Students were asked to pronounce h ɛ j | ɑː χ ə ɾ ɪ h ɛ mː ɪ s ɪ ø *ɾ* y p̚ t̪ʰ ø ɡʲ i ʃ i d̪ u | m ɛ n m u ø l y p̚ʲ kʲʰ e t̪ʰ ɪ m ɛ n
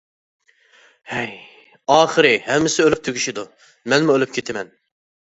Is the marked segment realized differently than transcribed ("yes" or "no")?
yes